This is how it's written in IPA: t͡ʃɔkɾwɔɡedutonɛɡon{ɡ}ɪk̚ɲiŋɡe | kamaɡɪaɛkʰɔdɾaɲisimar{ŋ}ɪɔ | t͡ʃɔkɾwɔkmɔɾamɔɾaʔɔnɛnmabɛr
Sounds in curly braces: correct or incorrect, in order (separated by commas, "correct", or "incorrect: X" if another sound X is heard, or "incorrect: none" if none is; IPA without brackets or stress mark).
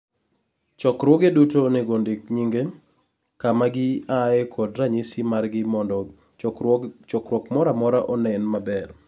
incorrect: d, incorrect: ɡ